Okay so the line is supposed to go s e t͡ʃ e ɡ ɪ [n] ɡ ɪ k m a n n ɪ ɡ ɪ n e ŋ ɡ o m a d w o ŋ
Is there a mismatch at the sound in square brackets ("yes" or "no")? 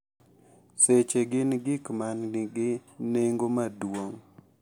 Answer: no